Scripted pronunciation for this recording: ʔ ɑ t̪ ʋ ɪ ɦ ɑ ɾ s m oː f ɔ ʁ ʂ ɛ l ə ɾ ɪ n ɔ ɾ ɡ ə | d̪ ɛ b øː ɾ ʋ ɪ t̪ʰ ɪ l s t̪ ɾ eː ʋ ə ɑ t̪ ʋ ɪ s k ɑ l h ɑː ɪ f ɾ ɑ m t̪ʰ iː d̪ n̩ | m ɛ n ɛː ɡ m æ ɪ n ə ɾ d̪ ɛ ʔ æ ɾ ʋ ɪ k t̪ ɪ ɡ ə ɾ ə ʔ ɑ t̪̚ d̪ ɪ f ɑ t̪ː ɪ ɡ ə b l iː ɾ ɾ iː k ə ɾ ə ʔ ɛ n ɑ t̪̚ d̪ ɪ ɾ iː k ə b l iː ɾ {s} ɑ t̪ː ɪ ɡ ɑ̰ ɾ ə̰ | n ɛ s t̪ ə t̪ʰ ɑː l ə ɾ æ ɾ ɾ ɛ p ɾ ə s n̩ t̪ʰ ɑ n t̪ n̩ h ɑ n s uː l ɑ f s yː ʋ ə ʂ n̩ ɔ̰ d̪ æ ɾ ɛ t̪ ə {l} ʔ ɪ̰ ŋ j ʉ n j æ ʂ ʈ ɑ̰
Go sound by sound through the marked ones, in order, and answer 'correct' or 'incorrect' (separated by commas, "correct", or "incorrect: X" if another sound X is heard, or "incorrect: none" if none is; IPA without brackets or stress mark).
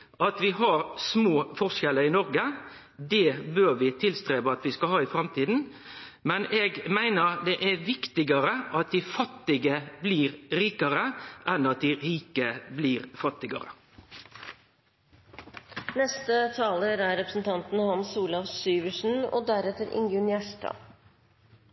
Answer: incorrect: f, incorrect: ɾ